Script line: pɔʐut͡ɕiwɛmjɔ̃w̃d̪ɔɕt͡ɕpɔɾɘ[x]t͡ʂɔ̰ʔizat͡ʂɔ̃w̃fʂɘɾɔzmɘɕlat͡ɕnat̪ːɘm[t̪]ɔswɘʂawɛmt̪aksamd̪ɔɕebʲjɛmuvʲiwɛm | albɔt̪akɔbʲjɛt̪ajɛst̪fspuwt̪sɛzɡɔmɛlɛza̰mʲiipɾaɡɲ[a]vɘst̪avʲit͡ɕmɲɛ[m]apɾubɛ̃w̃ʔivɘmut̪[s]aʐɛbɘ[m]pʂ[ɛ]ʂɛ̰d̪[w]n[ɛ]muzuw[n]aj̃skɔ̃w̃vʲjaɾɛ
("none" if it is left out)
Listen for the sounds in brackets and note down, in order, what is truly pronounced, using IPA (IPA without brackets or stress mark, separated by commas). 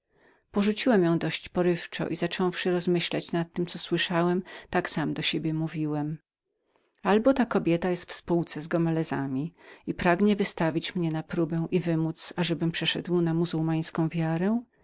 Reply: f, t̪, ɛ, n, s, m, ɛ, w, a, m